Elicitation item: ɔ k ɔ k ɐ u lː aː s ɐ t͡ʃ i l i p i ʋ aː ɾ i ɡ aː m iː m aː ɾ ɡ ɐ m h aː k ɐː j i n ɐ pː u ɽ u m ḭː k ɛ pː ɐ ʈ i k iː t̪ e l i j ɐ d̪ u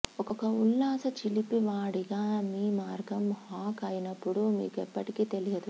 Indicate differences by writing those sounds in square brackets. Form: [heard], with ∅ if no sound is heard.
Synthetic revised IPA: ɔ k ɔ k ɐ u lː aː s ɐ t͡ʃ i l i p i ʋ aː [ɽ] i ɡ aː m iː m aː ɾ ɡ ɐ m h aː k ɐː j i n ɐ pː u ɽ u m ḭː k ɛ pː ɐ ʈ i k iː t̪ e l i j ɐ d̪ u